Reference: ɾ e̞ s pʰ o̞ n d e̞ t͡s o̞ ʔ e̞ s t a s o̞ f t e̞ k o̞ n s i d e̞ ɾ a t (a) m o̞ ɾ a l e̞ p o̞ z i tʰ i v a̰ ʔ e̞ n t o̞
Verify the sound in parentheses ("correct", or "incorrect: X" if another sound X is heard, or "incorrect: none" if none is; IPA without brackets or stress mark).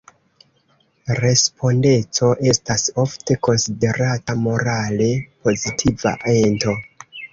correct